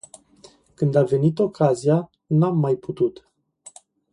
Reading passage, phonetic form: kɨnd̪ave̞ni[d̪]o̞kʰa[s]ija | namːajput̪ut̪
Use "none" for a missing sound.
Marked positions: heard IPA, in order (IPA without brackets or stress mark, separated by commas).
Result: t̪, z